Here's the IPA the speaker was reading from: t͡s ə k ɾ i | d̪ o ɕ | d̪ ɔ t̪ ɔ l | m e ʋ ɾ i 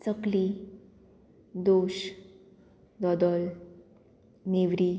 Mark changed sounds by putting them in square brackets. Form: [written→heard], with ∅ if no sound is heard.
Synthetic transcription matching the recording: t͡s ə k [ɾ→l] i | d̪ o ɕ | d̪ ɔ [t̪→d̪] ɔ l | [m→n] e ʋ ɾ i

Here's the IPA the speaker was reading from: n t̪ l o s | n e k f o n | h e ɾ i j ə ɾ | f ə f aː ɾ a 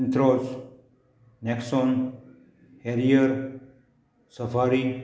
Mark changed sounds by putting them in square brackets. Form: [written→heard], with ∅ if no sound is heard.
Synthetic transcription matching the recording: n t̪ [l→ɾ] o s | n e k [f→s] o n | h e ɾ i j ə ɾ | [f→s] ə f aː ɾ [a→i]

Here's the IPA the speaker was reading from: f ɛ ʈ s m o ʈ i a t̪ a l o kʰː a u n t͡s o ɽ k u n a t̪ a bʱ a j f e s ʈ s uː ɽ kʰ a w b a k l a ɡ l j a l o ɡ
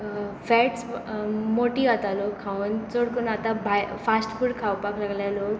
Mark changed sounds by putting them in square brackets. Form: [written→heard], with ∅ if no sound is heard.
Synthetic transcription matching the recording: f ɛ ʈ s m o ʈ i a t̪ a l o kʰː a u n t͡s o ɽ k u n a t̪ a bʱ a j f [e→a] s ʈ [s→f] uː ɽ kʰ a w [b→p] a k l a ɡ l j a l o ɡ

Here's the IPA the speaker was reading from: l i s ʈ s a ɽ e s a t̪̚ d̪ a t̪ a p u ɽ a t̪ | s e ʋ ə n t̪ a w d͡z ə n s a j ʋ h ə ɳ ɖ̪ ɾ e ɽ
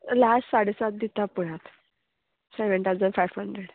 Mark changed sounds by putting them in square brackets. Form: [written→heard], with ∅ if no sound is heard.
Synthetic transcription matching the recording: l [i→a] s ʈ s a ɽ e s a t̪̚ d̪ [a→i] t̪ a p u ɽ a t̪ | s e ʋ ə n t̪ a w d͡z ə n [s→f] a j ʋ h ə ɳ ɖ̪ ɾ e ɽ

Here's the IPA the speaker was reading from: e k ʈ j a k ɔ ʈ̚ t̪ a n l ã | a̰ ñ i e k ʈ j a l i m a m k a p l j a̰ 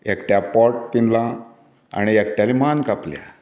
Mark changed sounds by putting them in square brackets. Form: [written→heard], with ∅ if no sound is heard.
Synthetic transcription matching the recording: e k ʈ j a [k→p] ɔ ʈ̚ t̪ [a→i] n l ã | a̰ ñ i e k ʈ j a l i m a [m→n] k a p l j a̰

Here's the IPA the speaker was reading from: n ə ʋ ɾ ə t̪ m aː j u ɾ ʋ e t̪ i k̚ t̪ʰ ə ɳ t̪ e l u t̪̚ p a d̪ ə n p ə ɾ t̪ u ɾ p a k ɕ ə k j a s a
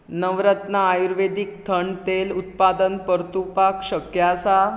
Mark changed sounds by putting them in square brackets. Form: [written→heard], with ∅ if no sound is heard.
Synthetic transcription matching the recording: n ə ʋ ɾ ə t̪ [m→n] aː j u ɾ ʋ e [t̪→d̪] i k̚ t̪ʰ ə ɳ t̪ e l u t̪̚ p a d̪ ə n p ə ɾ t̪ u [ɾ→∅] p a k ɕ ə k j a s a

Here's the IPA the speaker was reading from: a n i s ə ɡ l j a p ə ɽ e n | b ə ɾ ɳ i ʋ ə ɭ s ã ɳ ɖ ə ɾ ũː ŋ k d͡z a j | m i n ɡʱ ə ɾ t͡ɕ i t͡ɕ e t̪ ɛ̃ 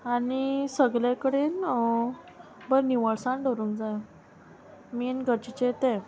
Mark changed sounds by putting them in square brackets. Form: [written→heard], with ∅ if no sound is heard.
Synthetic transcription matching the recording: a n i s ə ɡ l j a [p→k] ə ɽ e n | b ə ɾ [ɳ→n] i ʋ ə ɭ s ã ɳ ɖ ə ɾ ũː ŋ k d͡z a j | m i n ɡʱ ə ɾ t͡ɕ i t͡ɕ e t̪ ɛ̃

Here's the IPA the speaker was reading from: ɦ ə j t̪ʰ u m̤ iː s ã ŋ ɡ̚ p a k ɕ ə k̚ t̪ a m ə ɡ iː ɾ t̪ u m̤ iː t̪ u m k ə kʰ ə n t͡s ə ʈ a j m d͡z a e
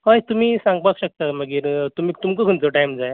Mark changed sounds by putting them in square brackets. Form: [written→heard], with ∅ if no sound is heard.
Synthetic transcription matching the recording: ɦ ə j [t̪ʰ→t̪] u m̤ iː s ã ŋ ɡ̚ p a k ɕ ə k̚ t̪ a m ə ɡ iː ɾ t̪ u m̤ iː t̪ u m k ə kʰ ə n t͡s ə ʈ a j m d͡z a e

